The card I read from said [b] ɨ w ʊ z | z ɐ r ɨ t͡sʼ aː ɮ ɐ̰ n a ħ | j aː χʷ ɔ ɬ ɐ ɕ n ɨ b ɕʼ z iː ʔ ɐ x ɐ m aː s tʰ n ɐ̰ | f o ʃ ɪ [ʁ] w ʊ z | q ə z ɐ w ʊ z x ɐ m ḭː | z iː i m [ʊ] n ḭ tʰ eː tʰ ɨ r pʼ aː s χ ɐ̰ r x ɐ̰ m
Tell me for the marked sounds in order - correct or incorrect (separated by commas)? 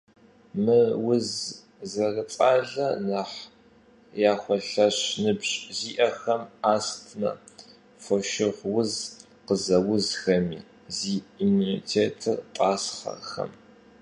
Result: incorrect, correct, incorrect